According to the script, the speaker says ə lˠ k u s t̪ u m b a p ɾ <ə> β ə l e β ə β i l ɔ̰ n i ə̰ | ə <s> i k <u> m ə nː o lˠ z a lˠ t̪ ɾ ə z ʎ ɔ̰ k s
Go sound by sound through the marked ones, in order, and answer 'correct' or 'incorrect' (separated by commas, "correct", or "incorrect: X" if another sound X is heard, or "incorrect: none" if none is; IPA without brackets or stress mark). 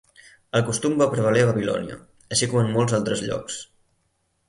correct, incorrect: ʃ, incorrect: ɔ